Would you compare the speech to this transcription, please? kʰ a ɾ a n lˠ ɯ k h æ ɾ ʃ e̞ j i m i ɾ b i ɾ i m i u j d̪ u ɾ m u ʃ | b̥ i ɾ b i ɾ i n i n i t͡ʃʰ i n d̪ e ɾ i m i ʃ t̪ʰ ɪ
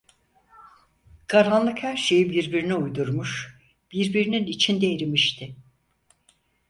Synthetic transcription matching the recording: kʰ a ɾ a n lˠ ɯ k h æ ɾ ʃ e̞ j i b i ɾ b i ɾ i n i u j d̪ u ɾ m u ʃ | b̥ i ɾ b i ɾ i n i n i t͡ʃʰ i n d̪ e ɾ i m i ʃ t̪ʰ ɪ